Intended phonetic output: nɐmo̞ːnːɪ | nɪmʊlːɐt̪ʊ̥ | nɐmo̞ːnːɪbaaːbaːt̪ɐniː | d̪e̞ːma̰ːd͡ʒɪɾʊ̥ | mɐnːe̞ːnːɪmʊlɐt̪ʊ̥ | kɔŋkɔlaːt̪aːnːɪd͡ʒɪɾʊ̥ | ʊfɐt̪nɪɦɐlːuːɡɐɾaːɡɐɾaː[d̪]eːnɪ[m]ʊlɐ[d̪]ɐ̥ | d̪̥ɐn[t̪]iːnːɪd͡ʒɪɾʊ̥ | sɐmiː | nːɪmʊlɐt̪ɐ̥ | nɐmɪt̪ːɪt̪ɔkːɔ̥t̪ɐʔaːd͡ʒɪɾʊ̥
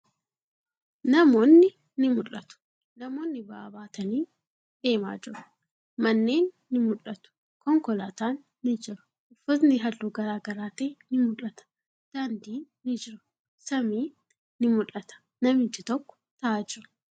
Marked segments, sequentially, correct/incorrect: incorrect, correct, incorrect, incorrect

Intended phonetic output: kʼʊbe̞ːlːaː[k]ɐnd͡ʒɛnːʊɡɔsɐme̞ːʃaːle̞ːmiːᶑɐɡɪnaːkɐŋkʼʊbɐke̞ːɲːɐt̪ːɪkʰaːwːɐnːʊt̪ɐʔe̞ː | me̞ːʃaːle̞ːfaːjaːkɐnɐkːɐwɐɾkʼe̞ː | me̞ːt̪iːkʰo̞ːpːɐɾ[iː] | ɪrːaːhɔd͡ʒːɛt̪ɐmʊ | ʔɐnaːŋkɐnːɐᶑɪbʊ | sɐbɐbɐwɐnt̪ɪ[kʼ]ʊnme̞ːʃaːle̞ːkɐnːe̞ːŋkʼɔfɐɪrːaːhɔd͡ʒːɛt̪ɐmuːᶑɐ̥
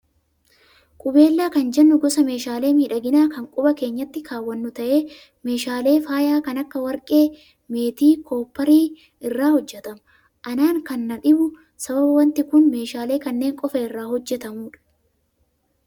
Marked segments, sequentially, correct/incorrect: correct, correct, incorrect

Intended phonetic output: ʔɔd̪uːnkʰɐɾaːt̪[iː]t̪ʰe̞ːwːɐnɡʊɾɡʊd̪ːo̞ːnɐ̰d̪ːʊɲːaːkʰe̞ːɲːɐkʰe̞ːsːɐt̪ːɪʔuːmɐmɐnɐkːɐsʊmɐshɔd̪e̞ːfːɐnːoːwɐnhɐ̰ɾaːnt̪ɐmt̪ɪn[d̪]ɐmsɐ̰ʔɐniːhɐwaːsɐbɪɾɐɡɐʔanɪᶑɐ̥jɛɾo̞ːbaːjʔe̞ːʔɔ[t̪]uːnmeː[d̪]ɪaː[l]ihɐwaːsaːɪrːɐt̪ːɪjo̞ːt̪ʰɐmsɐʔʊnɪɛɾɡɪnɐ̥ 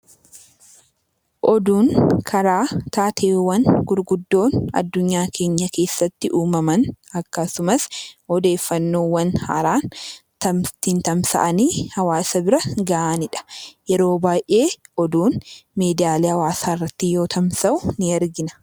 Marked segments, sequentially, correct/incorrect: incorrect, incorrect, incorrect, correct, correct

